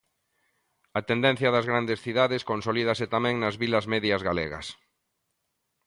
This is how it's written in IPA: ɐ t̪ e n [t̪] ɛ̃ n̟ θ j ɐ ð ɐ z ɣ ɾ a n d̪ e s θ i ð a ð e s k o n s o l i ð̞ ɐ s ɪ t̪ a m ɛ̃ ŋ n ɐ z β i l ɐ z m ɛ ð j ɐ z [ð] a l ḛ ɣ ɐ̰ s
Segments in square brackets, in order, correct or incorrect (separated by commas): incorrect, incorrect